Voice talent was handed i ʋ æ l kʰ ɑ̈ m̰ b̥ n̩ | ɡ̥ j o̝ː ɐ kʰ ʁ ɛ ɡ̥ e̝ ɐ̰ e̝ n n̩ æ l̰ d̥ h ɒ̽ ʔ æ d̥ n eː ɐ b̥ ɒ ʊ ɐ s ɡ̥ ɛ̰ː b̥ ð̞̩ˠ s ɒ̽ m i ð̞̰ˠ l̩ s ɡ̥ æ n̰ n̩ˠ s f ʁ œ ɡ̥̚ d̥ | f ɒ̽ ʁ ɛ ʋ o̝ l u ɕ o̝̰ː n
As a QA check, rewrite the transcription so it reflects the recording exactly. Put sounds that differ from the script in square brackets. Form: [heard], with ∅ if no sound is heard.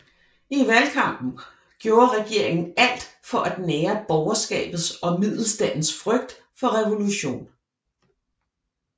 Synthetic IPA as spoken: i ʋ æ l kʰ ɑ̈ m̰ b̥ n̩ | ɡ̥ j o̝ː ɐ [∅] ʁ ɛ ɡ̥ e̝ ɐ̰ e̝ [ŋ] n̩ æ l̰ d̥ [f] ɒ̽ ʔ æ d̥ n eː ɐ b̥ ɒ ʊ ɐ s ɡ̥ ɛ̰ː b̥ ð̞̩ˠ s ɒ̽ m i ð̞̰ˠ l̩ s [d̥] æ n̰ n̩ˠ s f ʁ œ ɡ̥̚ d̥ | f ɒ̽ ʁ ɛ ʋ o̝ l u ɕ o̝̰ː n